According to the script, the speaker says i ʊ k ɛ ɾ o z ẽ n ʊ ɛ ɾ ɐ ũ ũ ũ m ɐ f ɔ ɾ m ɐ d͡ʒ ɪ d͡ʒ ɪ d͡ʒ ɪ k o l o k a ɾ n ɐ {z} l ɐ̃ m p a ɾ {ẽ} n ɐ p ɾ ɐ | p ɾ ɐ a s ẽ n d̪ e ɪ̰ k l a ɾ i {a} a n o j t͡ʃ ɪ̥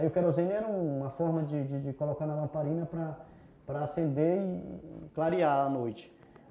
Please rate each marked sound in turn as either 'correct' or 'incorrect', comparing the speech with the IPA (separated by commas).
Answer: incorrect, incorrect, correct